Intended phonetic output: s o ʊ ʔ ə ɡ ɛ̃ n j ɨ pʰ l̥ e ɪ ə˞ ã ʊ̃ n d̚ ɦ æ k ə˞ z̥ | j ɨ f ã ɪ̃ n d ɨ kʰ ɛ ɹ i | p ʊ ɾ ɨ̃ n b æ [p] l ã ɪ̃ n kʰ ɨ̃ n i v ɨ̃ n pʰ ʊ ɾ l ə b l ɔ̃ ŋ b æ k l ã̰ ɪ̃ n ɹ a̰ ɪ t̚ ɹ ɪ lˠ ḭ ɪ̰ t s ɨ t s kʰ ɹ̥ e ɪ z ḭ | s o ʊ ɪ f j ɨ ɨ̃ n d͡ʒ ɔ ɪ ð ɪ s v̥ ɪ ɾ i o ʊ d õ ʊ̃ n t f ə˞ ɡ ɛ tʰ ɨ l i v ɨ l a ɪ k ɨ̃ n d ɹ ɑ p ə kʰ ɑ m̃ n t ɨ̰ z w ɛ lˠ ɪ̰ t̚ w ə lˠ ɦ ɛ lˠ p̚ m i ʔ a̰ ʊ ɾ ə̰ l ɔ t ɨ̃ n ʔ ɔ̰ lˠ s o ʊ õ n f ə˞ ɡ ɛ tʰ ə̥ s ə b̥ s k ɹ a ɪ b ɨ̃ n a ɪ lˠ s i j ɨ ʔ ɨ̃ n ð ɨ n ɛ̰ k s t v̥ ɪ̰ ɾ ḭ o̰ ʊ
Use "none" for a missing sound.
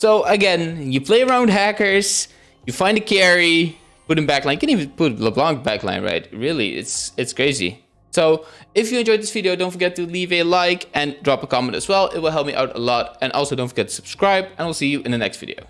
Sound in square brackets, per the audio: k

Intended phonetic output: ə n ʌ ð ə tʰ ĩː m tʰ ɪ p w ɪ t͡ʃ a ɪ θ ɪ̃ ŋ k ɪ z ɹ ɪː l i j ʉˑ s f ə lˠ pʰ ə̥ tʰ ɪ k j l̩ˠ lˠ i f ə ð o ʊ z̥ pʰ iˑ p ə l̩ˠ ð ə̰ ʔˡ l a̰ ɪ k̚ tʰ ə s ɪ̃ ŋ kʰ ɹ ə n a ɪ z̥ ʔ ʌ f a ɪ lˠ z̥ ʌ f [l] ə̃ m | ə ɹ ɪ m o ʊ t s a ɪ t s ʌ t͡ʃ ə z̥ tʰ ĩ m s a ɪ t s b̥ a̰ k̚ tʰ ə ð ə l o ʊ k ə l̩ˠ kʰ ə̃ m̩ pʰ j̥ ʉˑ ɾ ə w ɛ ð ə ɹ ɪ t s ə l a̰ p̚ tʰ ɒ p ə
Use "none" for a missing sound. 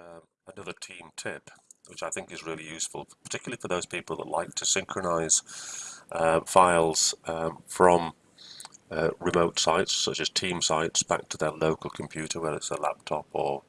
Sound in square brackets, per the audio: ɹ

